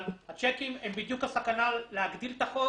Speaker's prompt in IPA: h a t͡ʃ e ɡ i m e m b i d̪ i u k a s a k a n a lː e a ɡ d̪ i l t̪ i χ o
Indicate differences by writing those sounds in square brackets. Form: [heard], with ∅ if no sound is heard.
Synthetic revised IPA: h a t͡ʃ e [k] i m e m b i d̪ [j] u k a s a k a n a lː e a ɡ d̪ i l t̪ [a] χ o